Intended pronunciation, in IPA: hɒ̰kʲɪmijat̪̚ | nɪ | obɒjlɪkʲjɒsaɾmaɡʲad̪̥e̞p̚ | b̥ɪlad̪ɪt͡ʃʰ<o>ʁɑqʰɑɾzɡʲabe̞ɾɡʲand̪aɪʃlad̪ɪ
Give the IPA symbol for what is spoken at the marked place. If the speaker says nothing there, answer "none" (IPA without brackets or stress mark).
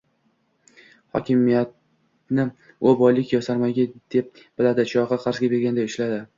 ɒ